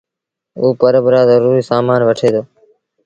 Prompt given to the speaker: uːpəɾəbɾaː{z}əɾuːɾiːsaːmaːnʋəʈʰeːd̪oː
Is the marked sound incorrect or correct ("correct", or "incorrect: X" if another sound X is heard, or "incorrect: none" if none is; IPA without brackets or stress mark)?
correct